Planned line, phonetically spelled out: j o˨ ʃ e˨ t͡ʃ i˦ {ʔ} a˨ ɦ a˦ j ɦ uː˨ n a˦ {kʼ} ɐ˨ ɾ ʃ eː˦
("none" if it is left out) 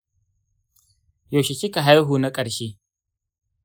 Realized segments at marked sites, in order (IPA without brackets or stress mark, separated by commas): k, kʼ